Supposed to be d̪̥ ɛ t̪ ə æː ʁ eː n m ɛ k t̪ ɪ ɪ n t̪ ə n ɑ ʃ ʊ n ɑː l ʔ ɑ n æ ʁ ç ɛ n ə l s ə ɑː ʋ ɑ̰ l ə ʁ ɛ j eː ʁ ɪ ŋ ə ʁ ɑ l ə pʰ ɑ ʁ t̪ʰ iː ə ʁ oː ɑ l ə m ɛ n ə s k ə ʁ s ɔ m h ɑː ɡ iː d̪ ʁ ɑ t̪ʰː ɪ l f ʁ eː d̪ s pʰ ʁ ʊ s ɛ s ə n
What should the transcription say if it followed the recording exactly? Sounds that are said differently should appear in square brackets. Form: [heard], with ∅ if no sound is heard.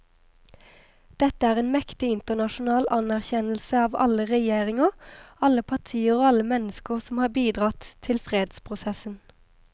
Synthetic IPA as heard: d̪̥ ɛ t̪ ə æː ʁ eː n m ɛ k t̪ ɪ ɪ n t̪ ə n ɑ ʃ ʊ n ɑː l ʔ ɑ n æ ʁ ç ɛ n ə l s ə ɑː ʋ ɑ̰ l ə ʁ ɛ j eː ʁ ɪ ŋ ə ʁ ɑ l ə pʰ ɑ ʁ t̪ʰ iː ə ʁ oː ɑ l ə m ɛ n ə s k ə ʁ s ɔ m h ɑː [b] iː d̪ ʁ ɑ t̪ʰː ɪ l f ʁ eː d̪ s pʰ ʁ ʊ s ɛ s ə n

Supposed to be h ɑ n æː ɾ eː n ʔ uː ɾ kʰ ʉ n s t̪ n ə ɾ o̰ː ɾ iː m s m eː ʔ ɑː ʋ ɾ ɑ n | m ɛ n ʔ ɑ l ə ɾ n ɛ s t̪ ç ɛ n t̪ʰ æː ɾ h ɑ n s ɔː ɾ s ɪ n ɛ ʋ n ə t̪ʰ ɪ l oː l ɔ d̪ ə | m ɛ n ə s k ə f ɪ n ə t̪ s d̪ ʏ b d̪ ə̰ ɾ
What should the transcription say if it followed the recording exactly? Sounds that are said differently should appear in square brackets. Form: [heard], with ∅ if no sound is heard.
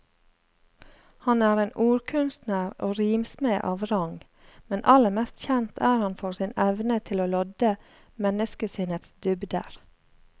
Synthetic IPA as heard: h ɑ n æː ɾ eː n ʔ uː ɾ kʰ ʉ n s t̪ n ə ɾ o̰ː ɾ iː m s m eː ʔ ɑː ʋ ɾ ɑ [ŋ] | m ɛ n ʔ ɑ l ə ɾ [m] ɛ s t̪ ç ɛ n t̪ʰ æː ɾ h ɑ n [f] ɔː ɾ s ɪ n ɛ ʋ n ə t̪ʰ ɪ l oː l ɔ d̪ ə | m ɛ n ə s k ə [s] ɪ n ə t̪ s d̪ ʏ b d̪ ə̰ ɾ

